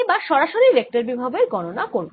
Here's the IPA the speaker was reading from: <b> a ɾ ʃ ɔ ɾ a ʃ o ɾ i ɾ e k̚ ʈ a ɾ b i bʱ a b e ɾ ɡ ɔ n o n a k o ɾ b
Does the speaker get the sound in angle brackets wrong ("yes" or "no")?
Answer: no